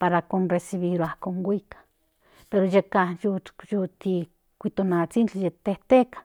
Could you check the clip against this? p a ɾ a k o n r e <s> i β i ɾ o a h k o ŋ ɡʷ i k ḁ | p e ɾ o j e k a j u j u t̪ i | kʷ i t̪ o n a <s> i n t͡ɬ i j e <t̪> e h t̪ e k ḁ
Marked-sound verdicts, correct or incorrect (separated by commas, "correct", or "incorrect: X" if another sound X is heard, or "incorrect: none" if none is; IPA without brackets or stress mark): correct, incorrect: t͡s, correct